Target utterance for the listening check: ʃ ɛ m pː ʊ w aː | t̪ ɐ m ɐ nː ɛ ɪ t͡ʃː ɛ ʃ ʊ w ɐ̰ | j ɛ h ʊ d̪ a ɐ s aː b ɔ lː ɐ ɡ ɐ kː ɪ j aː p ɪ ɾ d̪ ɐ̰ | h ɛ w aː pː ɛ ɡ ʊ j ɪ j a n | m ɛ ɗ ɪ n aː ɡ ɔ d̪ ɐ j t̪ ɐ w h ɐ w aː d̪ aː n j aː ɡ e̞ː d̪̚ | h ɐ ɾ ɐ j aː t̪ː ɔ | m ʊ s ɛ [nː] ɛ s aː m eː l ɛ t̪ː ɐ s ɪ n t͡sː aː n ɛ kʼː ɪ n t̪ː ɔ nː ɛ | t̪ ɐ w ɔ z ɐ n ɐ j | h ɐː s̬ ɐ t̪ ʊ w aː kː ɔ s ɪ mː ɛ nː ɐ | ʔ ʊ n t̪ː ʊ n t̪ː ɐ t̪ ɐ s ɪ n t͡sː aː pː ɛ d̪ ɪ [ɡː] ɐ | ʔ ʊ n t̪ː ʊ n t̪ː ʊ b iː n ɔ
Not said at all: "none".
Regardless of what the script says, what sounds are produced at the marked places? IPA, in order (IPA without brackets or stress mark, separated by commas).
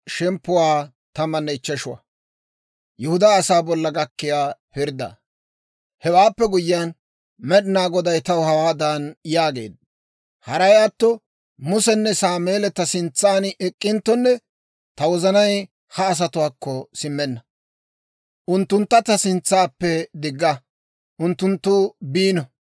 nː, ɡː